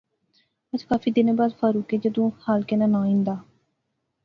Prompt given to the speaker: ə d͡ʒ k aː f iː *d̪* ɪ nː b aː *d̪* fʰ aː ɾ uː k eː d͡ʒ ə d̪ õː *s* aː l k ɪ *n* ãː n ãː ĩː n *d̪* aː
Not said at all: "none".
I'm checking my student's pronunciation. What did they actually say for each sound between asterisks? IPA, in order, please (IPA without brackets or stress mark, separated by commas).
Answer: d̪, d̪, h, n, d̪